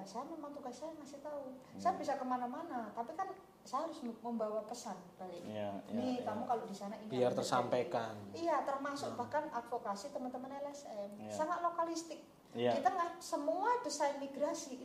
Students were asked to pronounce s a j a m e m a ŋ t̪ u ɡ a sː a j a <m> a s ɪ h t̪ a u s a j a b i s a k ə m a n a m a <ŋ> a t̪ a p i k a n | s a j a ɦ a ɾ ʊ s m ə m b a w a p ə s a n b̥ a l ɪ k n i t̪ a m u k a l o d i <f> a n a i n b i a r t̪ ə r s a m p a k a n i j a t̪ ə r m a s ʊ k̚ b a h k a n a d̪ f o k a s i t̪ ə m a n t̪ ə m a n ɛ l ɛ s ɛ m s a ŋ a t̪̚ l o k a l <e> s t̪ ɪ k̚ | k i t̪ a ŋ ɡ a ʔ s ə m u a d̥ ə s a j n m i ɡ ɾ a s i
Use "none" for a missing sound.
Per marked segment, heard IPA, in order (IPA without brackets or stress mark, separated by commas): ŋ, n, s, i